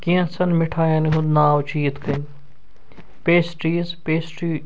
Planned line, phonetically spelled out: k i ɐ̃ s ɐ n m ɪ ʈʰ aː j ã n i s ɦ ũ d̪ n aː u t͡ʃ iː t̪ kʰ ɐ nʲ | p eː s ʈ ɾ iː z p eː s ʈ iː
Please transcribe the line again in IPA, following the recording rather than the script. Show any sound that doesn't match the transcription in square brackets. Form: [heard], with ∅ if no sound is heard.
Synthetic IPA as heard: k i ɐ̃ s ɐ n m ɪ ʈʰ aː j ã n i [∅] ɦ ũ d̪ n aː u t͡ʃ iː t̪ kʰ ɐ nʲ | p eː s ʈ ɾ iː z p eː s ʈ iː